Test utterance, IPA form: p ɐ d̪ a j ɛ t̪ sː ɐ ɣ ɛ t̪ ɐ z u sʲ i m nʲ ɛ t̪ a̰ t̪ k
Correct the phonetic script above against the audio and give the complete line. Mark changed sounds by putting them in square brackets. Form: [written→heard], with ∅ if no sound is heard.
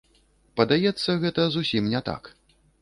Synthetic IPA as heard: p ɐ d̪ a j ɛ t̪ sː ɐ ɣ ɛ t̪ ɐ z u sʲ i m nʲ ɛ t̪ a̰ [t̪→∅] k